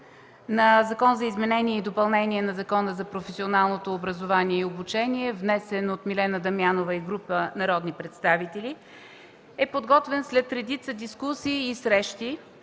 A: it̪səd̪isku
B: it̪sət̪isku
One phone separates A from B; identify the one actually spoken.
A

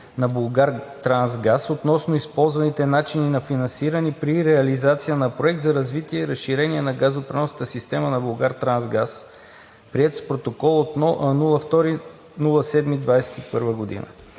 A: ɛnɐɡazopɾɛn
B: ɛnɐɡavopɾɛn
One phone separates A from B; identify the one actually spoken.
A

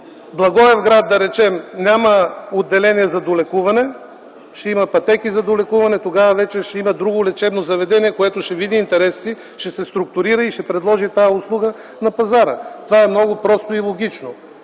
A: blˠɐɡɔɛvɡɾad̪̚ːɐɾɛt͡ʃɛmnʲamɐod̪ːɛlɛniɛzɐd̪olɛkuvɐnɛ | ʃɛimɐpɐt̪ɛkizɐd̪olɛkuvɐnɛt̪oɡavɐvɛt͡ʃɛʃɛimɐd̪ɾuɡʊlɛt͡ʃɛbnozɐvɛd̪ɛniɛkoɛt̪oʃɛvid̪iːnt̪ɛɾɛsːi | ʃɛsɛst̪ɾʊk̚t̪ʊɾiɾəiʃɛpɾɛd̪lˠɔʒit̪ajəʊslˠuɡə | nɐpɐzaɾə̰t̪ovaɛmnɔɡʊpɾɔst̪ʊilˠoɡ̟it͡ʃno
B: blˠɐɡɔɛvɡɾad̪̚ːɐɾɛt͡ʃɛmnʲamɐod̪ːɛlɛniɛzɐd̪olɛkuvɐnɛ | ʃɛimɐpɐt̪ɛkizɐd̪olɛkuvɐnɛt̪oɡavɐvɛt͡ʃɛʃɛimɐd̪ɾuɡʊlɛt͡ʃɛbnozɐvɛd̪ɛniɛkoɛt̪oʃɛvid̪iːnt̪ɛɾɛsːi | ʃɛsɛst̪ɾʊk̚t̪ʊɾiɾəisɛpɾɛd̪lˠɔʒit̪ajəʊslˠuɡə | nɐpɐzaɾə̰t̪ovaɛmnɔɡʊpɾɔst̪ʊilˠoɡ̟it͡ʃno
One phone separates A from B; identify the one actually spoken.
A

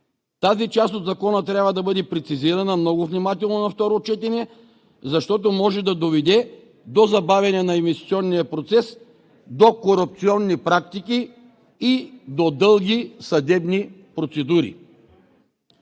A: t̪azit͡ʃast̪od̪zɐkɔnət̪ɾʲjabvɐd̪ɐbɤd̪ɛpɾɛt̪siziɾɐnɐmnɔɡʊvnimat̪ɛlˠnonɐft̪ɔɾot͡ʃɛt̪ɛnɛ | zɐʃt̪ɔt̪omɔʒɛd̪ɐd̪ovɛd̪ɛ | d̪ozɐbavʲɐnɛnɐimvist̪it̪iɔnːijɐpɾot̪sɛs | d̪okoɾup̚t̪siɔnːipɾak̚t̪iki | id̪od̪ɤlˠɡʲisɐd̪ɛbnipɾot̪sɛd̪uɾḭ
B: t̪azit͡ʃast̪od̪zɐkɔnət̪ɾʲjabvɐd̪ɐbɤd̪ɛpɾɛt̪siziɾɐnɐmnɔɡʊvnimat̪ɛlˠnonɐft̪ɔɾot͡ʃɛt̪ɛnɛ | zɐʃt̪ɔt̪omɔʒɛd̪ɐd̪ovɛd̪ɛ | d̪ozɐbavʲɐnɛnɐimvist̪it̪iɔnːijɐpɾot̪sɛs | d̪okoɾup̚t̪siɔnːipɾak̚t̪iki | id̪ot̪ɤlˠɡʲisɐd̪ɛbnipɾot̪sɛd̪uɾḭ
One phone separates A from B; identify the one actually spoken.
A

